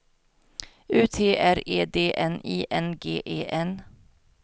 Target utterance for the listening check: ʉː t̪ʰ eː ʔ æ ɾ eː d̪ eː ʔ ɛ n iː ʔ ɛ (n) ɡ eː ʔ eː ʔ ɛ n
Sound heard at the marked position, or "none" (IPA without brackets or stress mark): n